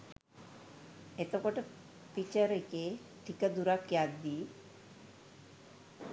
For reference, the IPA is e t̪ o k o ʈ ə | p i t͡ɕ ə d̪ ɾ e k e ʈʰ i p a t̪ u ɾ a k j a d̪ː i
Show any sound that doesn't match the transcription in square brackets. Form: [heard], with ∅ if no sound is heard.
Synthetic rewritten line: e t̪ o k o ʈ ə | p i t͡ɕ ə [∅] ɾ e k e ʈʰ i [k] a [d̪] u ɾ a k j a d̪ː i